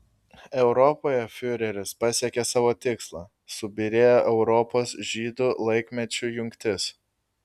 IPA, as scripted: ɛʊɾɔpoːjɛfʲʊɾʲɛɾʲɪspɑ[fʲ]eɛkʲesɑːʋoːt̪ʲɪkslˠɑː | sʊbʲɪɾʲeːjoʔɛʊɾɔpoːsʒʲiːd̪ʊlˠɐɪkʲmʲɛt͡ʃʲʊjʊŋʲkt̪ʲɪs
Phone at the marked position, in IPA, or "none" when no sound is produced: sʲ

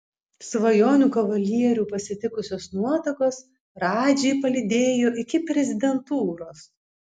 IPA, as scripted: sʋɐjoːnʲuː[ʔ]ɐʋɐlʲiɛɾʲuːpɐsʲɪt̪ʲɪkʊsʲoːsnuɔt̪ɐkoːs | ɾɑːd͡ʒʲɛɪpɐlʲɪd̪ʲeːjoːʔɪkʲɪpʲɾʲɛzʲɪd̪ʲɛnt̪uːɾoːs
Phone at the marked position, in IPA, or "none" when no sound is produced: k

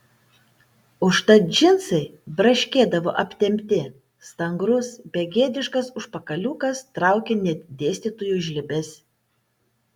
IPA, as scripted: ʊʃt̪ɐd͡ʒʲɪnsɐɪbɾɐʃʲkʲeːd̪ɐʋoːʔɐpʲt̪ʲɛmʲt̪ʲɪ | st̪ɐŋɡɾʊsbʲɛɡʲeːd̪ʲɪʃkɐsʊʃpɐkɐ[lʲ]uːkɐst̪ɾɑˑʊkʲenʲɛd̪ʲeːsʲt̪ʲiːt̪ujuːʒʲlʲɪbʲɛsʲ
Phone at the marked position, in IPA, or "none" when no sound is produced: lʲ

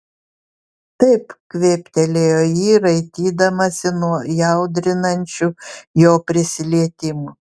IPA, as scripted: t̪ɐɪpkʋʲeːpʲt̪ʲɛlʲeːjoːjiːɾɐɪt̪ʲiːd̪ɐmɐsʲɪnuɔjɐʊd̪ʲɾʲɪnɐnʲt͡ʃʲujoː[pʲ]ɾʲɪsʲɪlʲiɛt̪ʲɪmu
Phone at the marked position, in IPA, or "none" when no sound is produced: pʲ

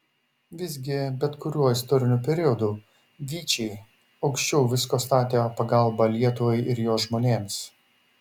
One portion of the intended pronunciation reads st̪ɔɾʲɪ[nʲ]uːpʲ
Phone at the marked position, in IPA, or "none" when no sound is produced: nʲ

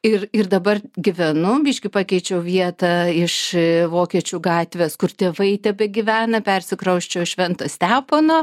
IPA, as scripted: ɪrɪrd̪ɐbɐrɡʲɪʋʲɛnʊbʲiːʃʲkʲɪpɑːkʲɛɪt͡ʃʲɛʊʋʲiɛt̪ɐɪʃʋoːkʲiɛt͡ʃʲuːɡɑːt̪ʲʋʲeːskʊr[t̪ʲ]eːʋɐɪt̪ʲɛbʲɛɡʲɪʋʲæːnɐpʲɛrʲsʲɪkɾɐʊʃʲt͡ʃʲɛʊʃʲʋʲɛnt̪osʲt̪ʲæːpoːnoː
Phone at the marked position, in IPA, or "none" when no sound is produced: t̪ʲ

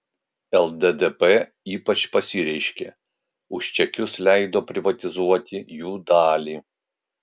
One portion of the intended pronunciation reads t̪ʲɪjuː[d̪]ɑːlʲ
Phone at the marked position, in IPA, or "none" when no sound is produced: d̪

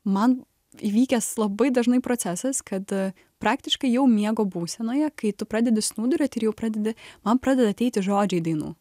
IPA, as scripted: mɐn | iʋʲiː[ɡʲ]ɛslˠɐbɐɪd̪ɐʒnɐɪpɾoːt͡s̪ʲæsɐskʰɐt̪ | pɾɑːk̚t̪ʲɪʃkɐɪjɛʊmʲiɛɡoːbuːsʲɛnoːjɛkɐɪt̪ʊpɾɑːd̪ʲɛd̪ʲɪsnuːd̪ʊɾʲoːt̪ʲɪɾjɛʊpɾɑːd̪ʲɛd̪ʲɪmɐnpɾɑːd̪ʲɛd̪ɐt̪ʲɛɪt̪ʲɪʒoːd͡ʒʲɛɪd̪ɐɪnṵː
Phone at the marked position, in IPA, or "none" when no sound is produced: kʲ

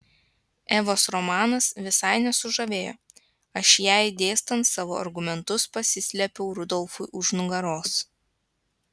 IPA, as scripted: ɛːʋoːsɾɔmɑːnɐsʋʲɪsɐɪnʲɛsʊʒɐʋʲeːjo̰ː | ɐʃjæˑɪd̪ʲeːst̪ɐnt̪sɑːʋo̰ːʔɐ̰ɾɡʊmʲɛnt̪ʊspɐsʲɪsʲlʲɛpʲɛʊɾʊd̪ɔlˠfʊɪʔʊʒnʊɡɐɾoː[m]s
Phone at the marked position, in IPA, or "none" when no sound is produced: none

